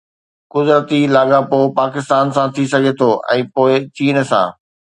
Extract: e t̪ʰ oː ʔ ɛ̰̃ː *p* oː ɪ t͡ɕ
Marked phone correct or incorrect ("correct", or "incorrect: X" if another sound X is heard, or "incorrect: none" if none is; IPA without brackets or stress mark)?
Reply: correct